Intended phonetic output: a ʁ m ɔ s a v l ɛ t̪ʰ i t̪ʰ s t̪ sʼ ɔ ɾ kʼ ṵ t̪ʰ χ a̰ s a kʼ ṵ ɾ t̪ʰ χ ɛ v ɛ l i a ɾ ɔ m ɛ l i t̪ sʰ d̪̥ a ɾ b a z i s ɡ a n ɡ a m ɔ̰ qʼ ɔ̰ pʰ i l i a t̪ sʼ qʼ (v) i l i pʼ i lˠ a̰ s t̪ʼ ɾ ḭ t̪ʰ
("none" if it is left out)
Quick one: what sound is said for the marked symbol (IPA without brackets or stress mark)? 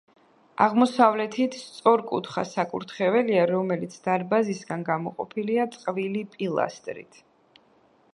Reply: v